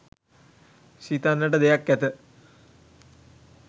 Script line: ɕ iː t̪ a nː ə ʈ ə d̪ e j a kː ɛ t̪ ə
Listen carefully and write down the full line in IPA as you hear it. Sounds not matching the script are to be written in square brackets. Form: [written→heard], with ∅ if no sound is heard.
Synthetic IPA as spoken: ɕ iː t̪ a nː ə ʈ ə d̪ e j a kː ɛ t̪ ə